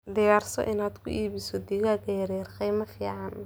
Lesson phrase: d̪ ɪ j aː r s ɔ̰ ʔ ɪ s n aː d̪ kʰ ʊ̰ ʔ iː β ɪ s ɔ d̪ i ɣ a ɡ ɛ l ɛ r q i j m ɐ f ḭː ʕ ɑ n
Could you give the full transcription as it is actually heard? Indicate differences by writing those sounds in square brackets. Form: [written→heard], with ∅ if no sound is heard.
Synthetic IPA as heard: d̪ ɪ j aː r s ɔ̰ ʔ ɪ [s→∅] n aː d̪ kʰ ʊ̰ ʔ iː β ɪ s ɔ d̪ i ɣ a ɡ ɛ [l→ɾ] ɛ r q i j m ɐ f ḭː ʕ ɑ n